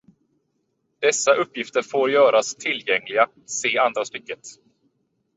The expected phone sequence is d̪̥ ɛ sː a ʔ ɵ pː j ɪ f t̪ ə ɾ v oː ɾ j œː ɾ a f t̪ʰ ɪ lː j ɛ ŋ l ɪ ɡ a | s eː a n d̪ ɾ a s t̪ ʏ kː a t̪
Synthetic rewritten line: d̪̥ ɛ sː a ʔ ɵ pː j ɪ f t̪ ə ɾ f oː ɾ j œː ɾ a s t̪ʰ ɪ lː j ɛ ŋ l ɪ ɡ a | s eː a n d̪ ɾ a s t̪ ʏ kː ə t̪

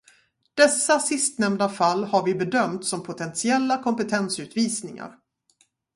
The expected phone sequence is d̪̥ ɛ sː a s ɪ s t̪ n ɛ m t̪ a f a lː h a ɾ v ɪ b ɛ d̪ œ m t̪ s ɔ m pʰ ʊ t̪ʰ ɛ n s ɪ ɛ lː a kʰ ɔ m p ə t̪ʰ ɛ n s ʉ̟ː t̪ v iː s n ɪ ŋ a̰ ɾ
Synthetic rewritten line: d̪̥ ɛ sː a s ɪ s t̪ n ɛ m d̪ a f a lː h a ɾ v ɪ b ɛ d̪ œ m t̪ s ɔ m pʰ ʊ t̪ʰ ɛ n s ɪ ɛ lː a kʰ ɔ m p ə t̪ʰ ɛ n s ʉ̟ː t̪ v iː s n ɪ ŋ a̰ ɾ

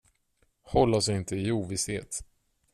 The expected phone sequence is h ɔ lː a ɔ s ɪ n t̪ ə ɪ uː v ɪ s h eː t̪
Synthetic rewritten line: h ɔ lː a ɔ s ɪ n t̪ ə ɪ uː v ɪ s h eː t̪

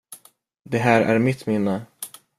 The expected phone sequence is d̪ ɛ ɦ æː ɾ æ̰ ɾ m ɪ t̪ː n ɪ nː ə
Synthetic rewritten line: d̪ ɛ ɦ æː ɾ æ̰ ɾ m ɪ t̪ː m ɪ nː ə

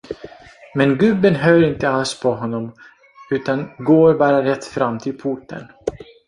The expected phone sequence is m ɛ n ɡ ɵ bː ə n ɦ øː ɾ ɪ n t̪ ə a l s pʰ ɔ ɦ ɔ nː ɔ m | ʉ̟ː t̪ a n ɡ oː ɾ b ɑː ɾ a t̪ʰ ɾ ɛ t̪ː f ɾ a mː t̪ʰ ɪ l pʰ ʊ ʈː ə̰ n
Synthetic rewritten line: m ɛ n ɡ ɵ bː ə n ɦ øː ɾ ɪ n t̪ ə a l s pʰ ɔ ɦ ɔ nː ɔ m | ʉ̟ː t̪ a n ɡ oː ɾ b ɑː ɾ a ɾ ɛ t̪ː f ɾ a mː t̪ʰ ɪ l pʰ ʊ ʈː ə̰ n

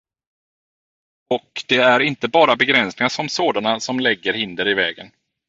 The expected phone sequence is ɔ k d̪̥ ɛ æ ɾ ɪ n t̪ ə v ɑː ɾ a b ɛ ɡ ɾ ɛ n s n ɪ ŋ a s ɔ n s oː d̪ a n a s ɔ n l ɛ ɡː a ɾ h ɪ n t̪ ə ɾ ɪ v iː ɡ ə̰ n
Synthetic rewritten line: ɔ k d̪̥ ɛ æ ɾ ɪ n t̪ ə b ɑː ɾ a b ɛ ɡ ɾ ɛ n s n ɪ ŋ a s ɔ m s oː d̪ a n a s ɔ m l ɛ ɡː ə ɾ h ɪ n d̪ ə ɾ ɪ v ɛː ɡ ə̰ n

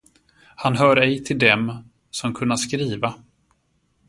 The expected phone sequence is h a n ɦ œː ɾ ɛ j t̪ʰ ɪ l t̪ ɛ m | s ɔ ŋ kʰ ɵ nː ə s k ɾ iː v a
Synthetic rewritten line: h a n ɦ œː ɾ ɛ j t̪ʰ ɪ l d̪ ɛ m | s ɔ m kʰ ɵ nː a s k ɾ iː v a

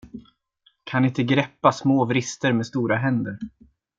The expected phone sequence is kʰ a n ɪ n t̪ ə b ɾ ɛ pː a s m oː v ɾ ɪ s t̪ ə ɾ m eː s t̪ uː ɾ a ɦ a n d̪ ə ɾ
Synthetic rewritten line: kʰ a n ɪ n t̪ ə ɡ ɾ ɛ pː a s m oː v ɾ ɪ s t̪ ə ɾ m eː s t̪ uː ɾ a ɦ ɛ n d̪ ə ɾ

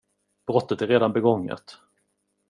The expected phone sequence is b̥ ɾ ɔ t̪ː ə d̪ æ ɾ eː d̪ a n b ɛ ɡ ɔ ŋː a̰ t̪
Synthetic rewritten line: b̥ ɾ ɔ t̪ː ə t̪ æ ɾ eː d̪ a n b ɛ ɡ ɔ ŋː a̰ t̪

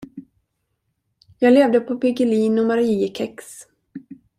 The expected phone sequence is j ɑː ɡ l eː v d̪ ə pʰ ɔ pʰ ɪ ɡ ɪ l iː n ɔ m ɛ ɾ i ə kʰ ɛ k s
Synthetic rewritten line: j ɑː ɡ l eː v d̪ ə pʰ ɔ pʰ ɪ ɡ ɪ l iː n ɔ m a ɾ i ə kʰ ɛ k s

